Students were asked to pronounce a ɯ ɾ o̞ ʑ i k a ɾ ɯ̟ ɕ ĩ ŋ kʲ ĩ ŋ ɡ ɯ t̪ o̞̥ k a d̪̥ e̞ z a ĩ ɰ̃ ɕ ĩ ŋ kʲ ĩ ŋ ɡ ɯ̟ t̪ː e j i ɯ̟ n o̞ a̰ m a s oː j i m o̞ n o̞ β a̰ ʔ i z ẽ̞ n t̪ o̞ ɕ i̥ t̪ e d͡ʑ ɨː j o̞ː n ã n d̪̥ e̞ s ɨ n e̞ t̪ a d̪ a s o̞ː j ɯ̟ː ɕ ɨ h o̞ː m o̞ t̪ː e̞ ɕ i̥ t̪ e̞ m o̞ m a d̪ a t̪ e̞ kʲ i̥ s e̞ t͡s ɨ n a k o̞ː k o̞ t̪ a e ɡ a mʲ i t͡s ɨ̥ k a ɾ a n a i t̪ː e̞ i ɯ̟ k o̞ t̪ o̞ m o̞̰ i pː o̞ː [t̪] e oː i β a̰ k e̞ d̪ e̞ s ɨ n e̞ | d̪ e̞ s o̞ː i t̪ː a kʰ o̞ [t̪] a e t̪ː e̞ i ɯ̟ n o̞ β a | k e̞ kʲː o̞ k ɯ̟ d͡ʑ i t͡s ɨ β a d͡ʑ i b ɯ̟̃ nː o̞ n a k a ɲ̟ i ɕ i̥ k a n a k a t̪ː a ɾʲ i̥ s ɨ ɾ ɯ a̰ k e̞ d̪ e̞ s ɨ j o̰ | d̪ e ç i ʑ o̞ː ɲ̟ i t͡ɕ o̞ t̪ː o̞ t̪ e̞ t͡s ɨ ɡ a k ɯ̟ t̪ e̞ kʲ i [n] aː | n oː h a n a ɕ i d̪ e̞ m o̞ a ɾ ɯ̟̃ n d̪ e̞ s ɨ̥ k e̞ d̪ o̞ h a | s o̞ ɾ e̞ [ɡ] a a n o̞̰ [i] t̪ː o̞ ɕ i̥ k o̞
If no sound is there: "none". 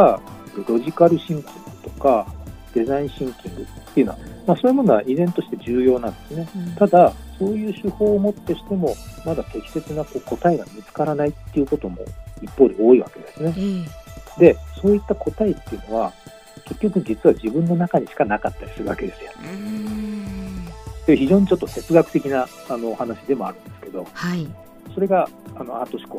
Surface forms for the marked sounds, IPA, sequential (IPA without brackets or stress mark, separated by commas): d̪, t̪, n, ɡ, a